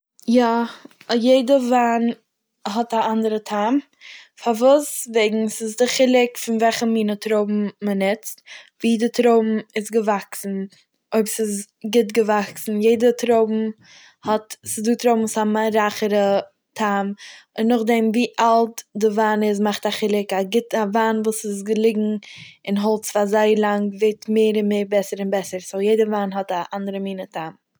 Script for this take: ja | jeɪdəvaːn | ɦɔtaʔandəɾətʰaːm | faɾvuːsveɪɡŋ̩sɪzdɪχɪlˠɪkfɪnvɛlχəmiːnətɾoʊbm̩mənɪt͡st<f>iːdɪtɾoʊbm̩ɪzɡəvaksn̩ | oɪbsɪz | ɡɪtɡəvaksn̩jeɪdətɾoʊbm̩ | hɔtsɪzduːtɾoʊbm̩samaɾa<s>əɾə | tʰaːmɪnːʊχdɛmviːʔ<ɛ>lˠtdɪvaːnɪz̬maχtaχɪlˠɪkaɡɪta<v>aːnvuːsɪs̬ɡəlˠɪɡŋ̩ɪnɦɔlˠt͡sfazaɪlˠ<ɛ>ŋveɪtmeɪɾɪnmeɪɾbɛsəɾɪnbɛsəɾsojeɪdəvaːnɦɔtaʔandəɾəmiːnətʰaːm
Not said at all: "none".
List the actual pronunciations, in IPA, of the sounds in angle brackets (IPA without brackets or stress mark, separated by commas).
v, χ, a, v, a